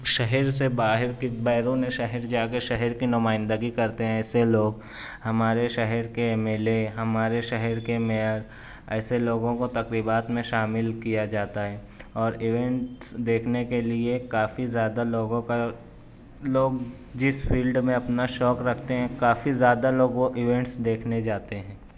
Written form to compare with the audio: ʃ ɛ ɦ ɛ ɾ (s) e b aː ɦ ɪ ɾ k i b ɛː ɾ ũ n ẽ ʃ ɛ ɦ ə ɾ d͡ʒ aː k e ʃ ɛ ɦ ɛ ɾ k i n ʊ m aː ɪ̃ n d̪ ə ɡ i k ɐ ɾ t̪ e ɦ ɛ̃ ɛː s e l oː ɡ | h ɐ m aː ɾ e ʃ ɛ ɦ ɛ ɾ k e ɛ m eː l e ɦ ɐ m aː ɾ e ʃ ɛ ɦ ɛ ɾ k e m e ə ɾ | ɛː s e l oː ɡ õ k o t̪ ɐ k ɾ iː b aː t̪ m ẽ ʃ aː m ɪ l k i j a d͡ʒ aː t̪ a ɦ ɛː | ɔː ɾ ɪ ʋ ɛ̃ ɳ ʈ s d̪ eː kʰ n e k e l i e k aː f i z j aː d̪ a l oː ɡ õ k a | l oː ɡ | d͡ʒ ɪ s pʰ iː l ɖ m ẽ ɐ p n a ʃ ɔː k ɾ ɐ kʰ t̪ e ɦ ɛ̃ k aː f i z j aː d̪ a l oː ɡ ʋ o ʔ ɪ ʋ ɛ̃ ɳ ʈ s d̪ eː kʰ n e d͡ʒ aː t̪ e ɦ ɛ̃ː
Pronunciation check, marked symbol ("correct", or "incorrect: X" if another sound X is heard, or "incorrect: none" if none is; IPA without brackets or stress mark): correct